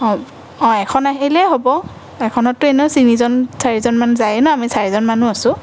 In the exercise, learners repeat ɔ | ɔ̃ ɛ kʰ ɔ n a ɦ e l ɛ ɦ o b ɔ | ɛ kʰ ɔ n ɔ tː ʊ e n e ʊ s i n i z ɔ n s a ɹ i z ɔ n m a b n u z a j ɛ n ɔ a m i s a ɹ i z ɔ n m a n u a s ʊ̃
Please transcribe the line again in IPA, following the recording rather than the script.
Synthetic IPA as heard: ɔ | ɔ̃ ɛ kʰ ɔ n a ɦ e l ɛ ɦ o b ɔ | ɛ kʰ ɔ n ɔ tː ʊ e n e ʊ s i n i z ɔ n s a ɹ i z ɔ n m a n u z a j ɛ n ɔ a m i s a ɹ i z ɔ n m a n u a s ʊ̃